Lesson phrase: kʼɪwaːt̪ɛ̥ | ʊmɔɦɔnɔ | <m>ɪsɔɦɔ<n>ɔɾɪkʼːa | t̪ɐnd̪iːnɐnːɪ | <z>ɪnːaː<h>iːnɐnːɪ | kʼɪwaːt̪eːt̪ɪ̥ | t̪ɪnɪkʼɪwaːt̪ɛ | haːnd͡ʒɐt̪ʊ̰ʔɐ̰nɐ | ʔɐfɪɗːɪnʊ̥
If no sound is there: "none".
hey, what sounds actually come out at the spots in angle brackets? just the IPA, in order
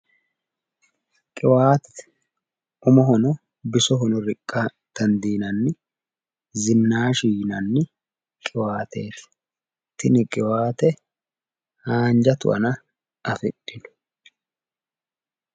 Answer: b, n, z, ʃ

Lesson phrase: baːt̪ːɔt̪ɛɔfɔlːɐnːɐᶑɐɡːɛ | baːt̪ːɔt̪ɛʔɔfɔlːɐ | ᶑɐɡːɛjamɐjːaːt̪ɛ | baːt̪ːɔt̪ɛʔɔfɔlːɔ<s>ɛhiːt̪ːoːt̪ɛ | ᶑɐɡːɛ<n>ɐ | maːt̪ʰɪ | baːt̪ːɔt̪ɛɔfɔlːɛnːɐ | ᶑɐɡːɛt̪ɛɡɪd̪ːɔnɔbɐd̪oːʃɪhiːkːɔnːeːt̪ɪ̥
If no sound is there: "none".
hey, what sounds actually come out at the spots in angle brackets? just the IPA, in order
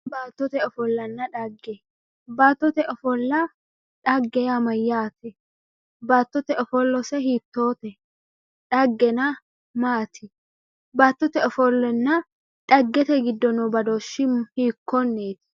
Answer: s, n

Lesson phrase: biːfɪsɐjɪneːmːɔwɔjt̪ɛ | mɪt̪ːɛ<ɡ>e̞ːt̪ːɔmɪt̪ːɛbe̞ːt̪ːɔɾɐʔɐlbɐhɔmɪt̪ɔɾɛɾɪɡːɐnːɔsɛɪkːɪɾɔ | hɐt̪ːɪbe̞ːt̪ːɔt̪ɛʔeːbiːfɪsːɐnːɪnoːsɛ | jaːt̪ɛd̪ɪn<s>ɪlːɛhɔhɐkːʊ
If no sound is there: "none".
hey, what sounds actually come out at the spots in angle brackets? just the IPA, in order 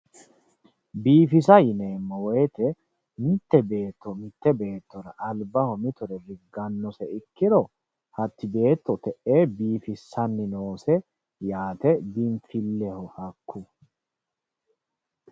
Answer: b, f

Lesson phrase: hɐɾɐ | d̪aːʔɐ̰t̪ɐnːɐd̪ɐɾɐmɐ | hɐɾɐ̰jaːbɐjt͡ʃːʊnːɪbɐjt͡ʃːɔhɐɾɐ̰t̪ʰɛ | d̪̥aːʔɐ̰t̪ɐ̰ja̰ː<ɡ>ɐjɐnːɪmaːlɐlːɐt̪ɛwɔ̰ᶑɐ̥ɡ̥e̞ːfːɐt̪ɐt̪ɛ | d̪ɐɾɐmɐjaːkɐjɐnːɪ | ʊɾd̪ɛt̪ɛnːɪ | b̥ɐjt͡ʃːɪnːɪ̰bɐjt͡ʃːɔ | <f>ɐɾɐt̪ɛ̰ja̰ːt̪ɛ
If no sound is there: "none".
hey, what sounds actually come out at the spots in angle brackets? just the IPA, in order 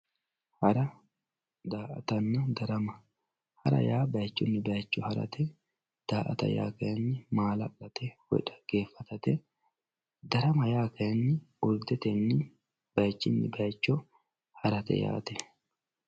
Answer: k, h

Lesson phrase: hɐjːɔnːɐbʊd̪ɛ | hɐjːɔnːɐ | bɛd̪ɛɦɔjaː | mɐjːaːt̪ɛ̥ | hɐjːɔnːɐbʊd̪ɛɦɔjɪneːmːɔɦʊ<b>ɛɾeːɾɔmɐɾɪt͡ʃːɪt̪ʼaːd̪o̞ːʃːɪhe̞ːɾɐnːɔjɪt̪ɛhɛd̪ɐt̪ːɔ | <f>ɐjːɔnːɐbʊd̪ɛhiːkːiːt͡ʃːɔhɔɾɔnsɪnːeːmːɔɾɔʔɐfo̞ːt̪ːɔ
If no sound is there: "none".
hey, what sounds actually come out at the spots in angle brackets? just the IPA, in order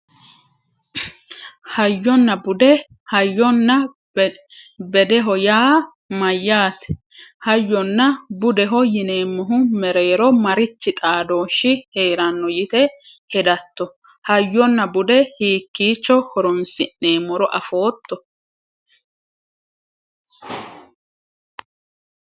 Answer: m, h

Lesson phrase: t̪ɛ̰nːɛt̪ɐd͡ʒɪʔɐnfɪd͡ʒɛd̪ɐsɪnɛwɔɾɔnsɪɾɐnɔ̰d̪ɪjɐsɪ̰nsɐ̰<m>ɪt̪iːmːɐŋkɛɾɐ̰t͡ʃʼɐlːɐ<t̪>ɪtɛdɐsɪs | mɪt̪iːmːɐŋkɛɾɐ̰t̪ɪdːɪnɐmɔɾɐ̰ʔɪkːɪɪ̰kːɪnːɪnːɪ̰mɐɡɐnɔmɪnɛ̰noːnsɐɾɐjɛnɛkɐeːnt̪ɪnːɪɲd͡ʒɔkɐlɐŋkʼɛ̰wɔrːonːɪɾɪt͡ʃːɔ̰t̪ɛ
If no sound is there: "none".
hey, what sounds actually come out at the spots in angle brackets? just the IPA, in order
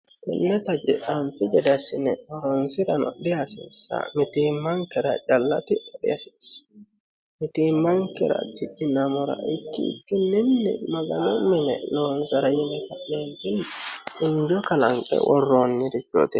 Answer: m, t̪

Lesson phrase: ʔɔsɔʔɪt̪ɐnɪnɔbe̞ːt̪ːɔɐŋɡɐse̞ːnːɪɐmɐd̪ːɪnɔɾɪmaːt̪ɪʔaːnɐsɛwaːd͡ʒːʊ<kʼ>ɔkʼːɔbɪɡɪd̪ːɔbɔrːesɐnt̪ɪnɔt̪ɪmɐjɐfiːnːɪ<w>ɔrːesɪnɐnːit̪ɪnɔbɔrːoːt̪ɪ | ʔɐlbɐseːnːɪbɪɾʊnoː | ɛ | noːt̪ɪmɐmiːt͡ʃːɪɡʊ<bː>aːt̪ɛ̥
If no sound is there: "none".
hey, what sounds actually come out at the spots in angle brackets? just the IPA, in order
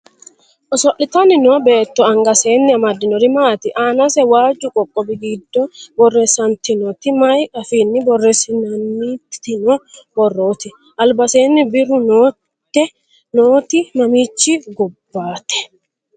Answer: kʼ, b, bː

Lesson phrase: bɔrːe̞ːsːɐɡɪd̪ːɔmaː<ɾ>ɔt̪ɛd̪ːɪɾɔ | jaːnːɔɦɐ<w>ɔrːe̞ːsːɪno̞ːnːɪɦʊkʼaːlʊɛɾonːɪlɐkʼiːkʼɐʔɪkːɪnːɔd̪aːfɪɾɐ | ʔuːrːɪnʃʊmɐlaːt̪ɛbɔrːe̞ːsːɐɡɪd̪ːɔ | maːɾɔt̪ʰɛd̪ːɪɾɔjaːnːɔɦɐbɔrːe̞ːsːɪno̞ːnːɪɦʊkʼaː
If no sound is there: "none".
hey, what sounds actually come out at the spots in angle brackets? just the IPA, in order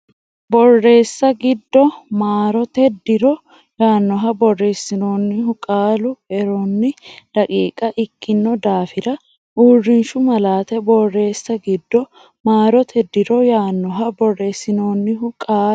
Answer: ɾ, b

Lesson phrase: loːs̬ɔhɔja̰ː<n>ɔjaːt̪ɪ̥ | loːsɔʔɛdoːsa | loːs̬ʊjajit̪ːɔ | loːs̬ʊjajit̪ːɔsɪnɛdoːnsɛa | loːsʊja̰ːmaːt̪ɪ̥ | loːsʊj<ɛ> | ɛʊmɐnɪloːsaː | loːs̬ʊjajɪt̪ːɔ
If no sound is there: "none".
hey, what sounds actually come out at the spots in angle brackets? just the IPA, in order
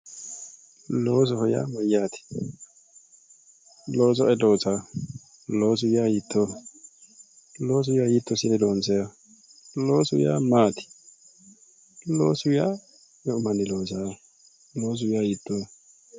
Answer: m, a

